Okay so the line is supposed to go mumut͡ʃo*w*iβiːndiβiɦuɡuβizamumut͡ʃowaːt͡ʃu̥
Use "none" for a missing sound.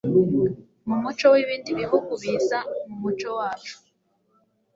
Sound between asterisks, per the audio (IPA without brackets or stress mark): w